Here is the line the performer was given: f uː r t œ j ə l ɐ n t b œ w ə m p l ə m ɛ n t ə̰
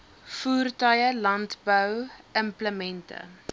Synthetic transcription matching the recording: f uː r t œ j ə l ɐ n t b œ w ə m p l ə m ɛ n t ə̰